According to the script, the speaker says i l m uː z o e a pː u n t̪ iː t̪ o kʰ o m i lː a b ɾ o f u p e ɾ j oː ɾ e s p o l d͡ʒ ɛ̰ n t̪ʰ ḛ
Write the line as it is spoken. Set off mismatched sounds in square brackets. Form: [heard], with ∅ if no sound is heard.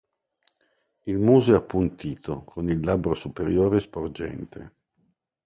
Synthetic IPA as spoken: i l m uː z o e a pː u n t̪ iː t̪ o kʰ o [n] i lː a b ɾ o [s] u p e ɾ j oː ɾ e s p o [r] d͡ʒ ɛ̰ n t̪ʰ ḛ